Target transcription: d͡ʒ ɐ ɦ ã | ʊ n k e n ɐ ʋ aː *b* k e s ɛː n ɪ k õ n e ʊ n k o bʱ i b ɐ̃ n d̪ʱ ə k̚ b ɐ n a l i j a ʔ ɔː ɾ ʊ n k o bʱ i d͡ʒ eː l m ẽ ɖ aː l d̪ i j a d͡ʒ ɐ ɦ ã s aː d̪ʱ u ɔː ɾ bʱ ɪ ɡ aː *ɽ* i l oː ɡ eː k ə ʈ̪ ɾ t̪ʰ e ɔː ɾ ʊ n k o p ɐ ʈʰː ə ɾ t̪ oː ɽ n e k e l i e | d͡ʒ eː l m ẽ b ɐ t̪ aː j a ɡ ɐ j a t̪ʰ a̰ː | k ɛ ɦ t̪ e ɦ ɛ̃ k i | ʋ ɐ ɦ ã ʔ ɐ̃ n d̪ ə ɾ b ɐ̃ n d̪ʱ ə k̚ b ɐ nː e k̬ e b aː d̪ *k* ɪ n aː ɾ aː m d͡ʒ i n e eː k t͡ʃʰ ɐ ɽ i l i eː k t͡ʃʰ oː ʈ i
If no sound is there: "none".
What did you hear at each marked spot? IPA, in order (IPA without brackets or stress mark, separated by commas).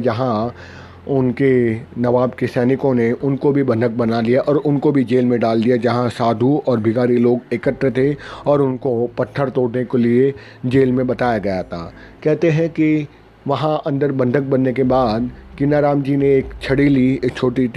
b, ɾ, k